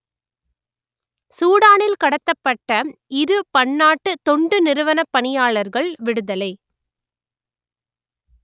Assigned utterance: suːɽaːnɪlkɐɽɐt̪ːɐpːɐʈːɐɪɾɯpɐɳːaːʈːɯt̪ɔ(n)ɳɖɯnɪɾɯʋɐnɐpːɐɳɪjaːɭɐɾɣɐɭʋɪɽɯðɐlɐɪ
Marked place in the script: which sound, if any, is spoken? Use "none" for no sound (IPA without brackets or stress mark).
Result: none